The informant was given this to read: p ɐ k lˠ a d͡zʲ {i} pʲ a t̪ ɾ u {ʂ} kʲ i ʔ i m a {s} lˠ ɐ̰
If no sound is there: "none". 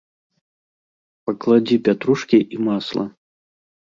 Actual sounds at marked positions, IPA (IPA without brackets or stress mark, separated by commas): i, ʂ, s